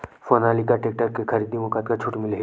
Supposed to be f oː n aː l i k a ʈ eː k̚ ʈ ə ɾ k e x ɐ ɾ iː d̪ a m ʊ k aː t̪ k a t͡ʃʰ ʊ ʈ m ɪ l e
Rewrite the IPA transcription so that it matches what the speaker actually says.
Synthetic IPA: f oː n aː l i k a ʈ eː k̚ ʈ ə ɾ k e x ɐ ɾ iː d̪ i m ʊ k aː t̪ k a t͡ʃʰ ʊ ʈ m ɪ l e